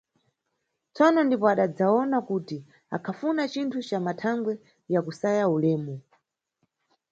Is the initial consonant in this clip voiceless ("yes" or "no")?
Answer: yes